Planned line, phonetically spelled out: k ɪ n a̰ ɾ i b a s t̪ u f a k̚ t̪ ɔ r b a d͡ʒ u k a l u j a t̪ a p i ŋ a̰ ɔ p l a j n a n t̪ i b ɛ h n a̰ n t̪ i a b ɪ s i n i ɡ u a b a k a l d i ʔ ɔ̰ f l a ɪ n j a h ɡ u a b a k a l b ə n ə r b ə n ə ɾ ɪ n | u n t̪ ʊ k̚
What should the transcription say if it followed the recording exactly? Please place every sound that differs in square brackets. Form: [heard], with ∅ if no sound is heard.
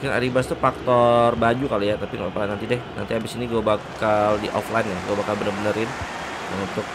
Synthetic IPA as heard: k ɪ n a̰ ɾ i b a s t̪ u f a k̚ t̪ ɔ r b a d͡ʒ u k a l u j a t̪ a p i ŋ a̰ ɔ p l a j n a n t̪ i [d] ɛ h n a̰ n t̪ i a b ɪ s i n i ɡ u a b a k a l d i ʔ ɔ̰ f l a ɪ n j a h ɡ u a b a k a l b ə n ə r b ə n ə ɾ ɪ n | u n t̪ ʊ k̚